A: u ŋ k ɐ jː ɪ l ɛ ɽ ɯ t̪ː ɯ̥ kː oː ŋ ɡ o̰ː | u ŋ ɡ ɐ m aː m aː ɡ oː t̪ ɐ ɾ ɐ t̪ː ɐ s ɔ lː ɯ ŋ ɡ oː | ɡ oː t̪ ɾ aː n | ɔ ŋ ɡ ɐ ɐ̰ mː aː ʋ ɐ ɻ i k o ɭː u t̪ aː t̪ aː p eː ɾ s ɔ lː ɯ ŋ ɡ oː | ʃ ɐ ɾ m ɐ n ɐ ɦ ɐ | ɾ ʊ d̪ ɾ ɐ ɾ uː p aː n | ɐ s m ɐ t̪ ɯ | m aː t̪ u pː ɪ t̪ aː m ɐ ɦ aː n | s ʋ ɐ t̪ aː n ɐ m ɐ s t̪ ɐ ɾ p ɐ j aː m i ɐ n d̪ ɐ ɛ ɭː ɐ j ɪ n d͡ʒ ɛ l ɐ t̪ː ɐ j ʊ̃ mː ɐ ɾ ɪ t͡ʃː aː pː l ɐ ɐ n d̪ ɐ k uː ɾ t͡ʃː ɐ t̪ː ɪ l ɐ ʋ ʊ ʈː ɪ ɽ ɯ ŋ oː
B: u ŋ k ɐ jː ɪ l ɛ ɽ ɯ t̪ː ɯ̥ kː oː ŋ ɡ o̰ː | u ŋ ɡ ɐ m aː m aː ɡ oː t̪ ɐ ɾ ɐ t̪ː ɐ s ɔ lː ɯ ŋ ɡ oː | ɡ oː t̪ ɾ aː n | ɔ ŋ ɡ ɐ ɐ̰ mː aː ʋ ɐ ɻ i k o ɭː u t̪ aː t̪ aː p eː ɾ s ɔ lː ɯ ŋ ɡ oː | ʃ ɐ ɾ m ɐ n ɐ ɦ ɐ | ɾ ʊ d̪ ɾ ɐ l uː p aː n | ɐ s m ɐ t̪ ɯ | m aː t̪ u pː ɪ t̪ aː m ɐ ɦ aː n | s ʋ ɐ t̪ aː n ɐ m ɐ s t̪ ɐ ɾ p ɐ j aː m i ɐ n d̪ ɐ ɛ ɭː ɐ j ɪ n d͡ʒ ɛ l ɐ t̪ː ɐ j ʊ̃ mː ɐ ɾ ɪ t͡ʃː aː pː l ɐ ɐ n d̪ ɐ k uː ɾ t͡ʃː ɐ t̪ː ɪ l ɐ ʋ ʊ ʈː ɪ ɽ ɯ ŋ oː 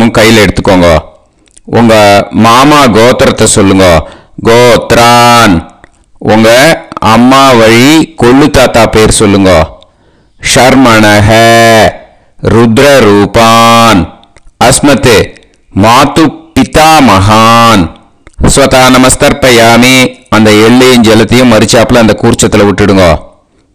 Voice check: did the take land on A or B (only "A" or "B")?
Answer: A